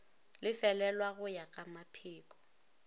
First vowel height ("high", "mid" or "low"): high